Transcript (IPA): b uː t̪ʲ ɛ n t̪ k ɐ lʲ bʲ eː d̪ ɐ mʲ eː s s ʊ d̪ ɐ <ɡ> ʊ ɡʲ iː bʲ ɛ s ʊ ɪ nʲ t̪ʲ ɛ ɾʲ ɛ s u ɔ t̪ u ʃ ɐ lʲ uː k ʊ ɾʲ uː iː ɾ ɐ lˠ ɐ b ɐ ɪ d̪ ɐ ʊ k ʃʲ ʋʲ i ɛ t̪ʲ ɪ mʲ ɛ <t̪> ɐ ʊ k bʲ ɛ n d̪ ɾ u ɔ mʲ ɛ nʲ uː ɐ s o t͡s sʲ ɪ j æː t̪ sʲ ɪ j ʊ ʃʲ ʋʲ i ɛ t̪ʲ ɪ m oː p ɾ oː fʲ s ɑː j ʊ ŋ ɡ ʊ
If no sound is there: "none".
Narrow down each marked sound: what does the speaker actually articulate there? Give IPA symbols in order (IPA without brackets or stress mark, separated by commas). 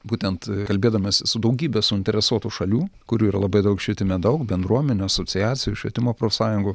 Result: none, d̪